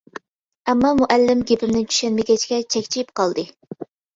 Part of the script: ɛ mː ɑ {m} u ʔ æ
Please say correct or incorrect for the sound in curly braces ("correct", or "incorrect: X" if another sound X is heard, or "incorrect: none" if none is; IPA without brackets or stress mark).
correct